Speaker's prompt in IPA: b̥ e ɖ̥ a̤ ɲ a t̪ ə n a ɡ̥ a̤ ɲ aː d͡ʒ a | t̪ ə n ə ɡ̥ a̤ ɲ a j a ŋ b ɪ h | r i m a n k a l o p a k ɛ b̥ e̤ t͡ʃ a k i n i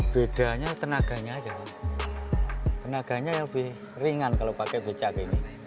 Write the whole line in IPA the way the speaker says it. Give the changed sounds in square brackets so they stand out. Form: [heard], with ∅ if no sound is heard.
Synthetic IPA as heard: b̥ e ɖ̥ a̤ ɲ a t̪ ə n a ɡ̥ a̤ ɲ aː d͡ʒ a | t̪ ə n [a] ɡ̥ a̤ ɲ a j a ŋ b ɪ h | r i [ŋ] a n k a l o p a k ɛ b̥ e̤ t͡ʃ a k i n i